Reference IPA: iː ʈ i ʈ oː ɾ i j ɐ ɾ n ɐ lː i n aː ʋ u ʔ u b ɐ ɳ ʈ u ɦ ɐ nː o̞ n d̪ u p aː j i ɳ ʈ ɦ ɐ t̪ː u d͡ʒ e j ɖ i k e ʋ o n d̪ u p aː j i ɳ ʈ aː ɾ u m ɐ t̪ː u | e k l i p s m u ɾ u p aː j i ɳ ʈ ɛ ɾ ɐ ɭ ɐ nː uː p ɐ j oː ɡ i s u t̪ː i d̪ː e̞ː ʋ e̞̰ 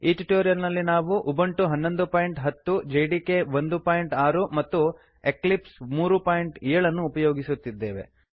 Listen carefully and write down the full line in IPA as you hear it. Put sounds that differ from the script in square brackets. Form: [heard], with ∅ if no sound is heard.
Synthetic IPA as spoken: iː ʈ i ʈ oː ɾ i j ɐ ɾ n ɐ lː i n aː ʋ u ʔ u b ɐ ɳ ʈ u ɦ ɐ nː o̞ n d̪ u p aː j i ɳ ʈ ɦ ɐ t̪ː u d͡ʒ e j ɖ i k e ʋ o n d̪ u p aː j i ɳ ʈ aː ɾ u m ɐ t̪ː u | e k l i p s m [uː] ɾ u p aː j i ɳ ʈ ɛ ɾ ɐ ɭ ɐ nː uː p ɐ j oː ɡ i s u t̪ː i d̪ː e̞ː ʋ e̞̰

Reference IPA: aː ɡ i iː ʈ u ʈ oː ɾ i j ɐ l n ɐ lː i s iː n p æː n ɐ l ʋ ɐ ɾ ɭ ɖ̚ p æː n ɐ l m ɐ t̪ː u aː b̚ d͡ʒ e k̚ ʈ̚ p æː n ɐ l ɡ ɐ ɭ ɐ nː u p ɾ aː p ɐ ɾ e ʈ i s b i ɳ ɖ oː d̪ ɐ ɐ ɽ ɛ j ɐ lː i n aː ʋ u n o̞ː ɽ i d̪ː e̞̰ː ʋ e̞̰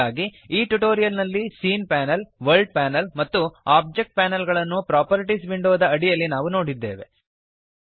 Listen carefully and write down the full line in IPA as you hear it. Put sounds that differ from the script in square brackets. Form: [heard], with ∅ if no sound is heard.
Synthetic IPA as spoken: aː ɡ i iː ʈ u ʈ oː ɾ i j ɐ l n ɐ lː i s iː n p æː n ɐ l ʋ ɐ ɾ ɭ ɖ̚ p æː n ɐ l m ɐ t̪ː u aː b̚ d͡ʒ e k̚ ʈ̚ p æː n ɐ l ɡ ɐ ɭ ɐ nː u p ɾ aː p ɐ ɾ [i] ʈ i s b i ɳ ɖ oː d̪ ɐ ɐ ɽ [i] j ɐ lː i n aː ʋ u n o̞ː ɽ i d̪ː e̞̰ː ʋ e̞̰

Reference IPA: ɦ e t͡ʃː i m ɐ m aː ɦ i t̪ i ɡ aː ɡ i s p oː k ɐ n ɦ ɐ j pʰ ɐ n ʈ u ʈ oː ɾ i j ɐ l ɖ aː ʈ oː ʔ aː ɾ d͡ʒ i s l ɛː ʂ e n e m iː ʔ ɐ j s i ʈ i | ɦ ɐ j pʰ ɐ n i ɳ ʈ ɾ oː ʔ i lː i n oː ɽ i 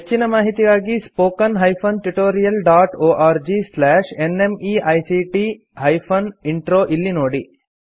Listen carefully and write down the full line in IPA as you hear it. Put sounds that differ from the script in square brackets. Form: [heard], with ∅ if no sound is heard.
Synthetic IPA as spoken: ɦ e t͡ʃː i [n] ɐ m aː ɦ i t̪ i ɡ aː ɡ i s p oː k ɐ n ɦ ɐ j pʰ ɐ n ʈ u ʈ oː ɾ i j ɐ l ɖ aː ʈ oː ʔ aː ɾ d͡ʒ i s l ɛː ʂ e n e m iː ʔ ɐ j s i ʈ i | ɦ ɐ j pʰ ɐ n i ɳ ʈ ɾ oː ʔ i lː i n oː ɽ i

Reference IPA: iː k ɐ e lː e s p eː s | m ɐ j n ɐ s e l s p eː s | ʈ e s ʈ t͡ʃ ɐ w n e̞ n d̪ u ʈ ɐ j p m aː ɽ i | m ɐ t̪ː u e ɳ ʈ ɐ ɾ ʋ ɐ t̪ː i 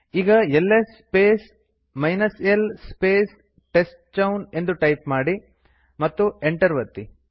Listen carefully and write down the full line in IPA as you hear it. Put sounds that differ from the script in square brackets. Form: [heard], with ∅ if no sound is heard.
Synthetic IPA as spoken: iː [ɡ] ɐ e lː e s p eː s | m ɐ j n ɐ s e l s p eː s | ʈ e s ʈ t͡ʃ ɐ w n e̞ n d̪ u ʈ ɐ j p m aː ɽ i | m ɐ t̪ː u e ɳ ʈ ɐ ɾ ʋ ɐ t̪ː i

